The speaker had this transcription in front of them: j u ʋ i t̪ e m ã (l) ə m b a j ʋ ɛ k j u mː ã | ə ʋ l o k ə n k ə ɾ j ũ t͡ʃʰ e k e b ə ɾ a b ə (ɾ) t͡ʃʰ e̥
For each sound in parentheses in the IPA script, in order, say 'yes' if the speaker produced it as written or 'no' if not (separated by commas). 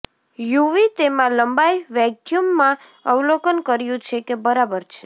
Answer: yes, yes